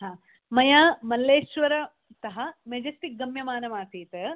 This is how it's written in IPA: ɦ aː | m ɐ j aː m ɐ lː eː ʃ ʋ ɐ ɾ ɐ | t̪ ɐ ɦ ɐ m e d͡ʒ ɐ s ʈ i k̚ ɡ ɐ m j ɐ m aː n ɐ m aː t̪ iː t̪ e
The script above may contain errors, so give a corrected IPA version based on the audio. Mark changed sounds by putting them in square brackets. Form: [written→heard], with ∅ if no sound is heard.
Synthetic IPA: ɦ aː | m ɐ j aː m ɐ lː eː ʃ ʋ ɐ ɾ ɐ | t̪ ɐ ɦ ɐ m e d͡ʒ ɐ s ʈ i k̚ ɡ ɐ m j ɐ m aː n ɐ m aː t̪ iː t̪ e

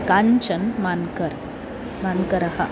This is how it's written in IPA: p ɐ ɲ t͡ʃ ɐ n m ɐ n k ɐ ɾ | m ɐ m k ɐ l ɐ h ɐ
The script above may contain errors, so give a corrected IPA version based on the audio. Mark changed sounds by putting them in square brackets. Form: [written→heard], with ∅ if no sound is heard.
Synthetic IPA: [p→k] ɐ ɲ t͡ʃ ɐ n m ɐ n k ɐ ɾ | m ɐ [m→n] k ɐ [l→ɾ] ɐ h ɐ

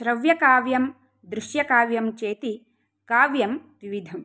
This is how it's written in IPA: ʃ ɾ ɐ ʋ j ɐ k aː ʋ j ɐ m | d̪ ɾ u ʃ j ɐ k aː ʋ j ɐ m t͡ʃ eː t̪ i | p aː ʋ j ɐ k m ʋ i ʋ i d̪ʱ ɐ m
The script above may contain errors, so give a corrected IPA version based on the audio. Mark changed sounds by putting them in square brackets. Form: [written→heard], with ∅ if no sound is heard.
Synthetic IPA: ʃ ɾ ɐ ʋ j ɐ k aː ʋ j ɐ m | d̪ ɾ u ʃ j ɐ k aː ʋ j ɐ m t͡ʃ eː t̪ i | [p→k] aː ʋ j ɐ [k→∅] m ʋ i ʋ i d̪ʱ ɐ m

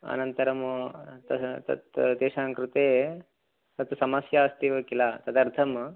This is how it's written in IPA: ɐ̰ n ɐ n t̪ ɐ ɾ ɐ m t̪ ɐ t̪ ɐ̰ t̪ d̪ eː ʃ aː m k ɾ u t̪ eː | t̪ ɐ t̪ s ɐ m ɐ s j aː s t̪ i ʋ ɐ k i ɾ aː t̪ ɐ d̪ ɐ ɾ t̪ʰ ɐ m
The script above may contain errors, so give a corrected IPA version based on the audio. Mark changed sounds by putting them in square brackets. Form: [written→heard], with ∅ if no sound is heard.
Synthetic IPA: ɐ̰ n ɐ n t̪ ɐ ɾ ɐ m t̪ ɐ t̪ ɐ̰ t̪ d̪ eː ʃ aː [m→ŋ] k ɾ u t̪ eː | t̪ ɐ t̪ s ɐ m ɐ s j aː s t̪ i ʋ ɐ k i [ɾ→l] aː t̪ ɐ d̪ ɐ ɾ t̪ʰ ɐ m

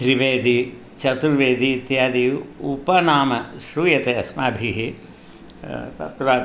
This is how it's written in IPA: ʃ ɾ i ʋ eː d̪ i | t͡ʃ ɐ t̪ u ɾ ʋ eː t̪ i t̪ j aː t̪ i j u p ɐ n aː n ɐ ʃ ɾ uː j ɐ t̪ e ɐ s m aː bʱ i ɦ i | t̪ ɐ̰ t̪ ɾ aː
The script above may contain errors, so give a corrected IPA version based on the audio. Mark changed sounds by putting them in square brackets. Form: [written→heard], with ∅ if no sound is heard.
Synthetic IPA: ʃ ɾ i ʋ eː d̪ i | t͡ʃ ɐ t̪ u ɾ ʋ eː [t̪→d̪] i t̪ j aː [t̪→d̪] i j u p ɐ n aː [n→m] ɐ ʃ ɾ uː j ɐ t̪ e ɐ s m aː bʱ i ɦ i | t̪ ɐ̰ t̪ ɾ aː

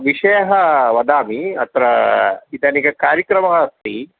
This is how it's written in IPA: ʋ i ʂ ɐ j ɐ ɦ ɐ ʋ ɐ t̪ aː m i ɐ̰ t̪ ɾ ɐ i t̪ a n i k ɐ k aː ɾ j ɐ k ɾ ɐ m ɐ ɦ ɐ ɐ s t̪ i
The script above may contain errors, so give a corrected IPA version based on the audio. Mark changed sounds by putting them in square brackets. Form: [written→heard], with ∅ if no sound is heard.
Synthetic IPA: ʋ i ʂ ɐ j ɐ ɦ ɐ ʋ ɐ [t̪→d̪] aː m i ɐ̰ t̪ ɾ ɐ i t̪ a n i k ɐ k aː ɾ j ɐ k ɾ ɐ m ɐ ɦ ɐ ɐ s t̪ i

